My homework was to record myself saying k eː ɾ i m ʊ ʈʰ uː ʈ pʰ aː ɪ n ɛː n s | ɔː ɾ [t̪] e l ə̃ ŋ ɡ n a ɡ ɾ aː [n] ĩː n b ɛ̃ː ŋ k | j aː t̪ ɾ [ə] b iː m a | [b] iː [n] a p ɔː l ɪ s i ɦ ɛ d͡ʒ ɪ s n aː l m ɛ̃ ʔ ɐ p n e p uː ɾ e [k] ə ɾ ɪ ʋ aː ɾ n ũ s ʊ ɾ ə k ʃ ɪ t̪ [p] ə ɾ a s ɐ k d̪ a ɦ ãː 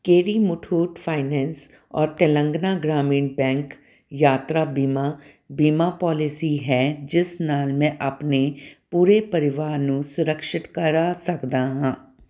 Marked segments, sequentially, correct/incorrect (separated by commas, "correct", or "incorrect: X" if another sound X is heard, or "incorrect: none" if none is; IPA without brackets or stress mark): correct, incorrect: m, incorrect: a, correct, incorrect: m, incorrect: p, incorrect: k